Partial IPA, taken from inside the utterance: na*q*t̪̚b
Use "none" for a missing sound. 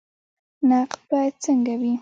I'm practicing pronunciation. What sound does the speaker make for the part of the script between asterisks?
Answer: q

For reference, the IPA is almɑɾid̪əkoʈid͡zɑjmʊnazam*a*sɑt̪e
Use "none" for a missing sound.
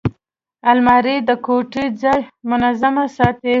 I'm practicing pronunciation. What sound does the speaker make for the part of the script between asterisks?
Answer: a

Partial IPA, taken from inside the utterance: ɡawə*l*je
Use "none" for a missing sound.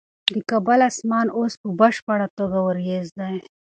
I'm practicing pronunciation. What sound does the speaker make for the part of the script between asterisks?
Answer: ɾ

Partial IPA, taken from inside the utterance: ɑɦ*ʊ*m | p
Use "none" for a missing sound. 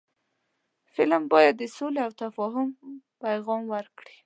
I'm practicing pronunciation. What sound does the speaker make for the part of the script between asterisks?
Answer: ʊ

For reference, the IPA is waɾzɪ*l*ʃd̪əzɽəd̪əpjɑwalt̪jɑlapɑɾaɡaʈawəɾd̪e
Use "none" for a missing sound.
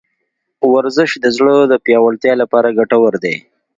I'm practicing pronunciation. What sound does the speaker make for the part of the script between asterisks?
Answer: none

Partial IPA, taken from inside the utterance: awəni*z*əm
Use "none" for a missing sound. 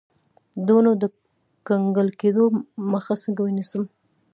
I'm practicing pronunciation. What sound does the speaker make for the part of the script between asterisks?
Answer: s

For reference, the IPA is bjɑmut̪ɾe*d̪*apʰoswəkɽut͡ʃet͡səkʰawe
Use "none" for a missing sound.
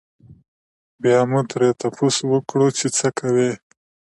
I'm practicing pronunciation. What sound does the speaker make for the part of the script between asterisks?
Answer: t̪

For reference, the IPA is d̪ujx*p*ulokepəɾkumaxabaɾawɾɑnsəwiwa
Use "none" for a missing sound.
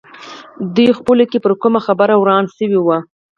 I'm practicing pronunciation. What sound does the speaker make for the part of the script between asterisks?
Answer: p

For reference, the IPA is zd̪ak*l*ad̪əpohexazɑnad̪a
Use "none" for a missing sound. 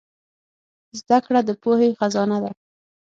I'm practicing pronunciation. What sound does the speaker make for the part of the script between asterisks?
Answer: ɽ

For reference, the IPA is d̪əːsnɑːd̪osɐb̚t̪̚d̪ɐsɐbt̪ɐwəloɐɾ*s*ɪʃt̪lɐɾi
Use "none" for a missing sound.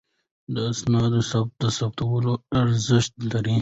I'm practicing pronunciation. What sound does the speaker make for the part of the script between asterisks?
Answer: z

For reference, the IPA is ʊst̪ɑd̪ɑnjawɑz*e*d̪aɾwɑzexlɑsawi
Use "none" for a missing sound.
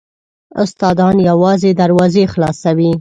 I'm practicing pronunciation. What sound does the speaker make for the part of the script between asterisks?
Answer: e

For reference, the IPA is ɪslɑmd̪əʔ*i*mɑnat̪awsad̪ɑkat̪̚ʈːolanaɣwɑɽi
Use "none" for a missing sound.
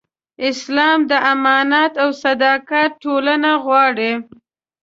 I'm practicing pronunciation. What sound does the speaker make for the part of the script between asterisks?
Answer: a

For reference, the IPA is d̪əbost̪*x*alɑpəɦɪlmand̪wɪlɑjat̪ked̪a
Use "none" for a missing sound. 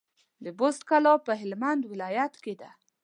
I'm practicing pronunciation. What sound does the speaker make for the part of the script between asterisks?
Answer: k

